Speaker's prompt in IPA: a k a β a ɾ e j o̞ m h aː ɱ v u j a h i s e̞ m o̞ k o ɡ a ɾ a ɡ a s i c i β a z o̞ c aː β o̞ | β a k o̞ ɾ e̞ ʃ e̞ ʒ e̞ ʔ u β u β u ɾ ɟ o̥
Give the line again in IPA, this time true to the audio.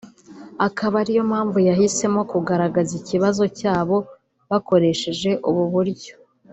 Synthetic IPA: a k a β a ɾ i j o̞ m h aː ɱ v u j a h i s e̞ m o̞ k u ɡ a ɾ a ɡ a z i c i β a z o̞ c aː β o̞ | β a k o̞ ɾ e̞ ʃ e̞ ʒ e̞ ʔ u β u β u ɾ ɟ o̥

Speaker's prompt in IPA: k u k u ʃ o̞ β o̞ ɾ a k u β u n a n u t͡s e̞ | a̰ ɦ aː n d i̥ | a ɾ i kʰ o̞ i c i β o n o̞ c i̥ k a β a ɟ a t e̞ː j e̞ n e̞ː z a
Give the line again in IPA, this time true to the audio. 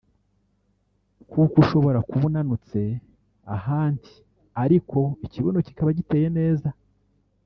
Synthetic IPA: k u k u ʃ o̞ β o̞ ɾ a k u β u n a n u t͡s e̞ | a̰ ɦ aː n d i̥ | a ɾ i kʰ o̞ i c i β o n o̞ c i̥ k a β a ɟ i t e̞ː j e̞ n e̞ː z a

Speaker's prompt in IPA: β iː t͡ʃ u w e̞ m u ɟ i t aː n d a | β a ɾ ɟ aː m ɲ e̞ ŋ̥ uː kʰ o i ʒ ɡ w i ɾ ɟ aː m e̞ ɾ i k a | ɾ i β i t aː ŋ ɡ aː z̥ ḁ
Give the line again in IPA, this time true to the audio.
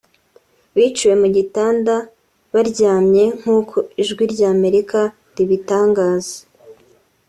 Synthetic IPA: β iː t͡ʃ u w e̞ m u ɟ i t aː n d a | β a ɾ ɟ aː m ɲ e̞ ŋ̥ uː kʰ o i ʒ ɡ w i ɾ ɟ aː m e̞ ɾ i k a | ɾ i β i t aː ŋ ɡ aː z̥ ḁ

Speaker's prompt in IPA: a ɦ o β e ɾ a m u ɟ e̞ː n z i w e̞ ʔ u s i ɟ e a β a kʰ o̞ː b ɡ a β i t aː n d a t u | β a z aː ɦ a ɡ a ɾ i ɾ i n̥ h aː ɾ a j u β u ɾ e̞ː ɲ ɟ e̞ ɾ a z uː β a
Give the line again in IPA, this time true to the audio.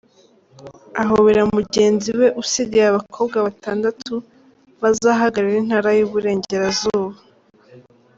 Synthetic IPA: a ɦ o β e ɾ a m u ɟ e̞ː n z i w e̞ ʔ u s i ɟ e a β a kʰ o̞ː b ɡ a β a t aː n d a t u | β a z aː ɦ a ɡ a ɾ i ɾ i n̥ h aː ɾ a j u β u ɾ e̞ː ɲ ɟ e̞ ɾ a z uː β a

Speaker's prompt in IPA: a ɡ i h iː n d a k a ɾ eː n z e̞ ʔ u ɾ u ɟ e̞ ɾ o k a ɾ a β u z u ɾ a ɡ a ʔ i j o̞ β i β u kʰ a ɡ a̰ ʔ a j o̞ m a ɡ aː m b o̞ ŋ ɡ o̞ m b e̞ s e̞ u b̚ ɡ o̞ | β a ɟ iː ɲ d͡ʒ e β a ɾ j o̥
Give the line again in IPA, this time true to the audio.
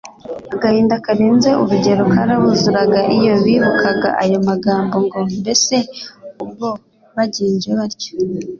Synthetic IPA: a ɡ a h iː n d a k a ɾ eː n z e̞ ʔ u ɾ u ɟ e̞ ɾ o k a ɾ a β u z u ɾ a ɡ a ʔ i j o̞ β i β u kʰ a ɡ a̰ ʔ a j o̞ m a ɡ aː m b o̞ ŋ ɡ o̞ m b e̞ s e̞ u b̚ ɡ o̞ | β a ɟ iː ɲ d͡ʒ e β a ɾ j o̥

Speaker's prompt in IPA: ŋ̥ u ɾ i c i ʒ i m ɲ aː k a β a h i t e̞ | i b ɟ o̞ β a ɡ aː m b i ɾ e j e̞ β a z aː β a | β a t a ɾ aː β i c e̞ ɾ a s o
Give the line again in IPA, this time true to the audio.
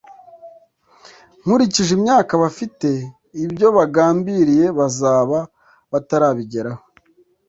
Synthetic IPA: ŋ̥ u ɾ i c i ʒ i m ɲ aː k a β a f i t e̞ | i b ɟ o̞ β a ɡ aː m b i ɾ i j e̞ β a z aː β a | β a t a ɾ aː β i ɟ e̞ ɾ a h o

